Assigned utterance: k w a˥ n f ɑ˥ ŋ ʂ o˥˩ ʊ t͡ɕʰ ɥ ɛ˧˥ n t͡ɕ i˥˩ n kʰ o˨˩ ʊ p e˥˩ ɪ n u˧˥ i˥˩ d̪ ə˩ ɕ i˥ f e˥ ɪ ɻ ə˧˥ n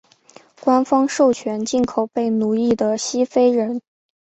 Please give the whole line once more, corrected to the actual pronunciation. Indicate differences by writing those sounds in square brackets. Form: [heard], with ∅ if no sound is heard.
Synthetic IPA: k w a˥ n f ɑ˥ ŋ ʂ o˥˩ ʊ t͡ɕʰ ɥ ɛ˧˥ n t͡ɕ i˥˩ n kʰ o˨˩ ʊ p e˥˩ ɪ n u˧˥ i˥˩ d̪ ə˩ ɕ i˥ f e˥ ɪ ɻ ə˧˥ n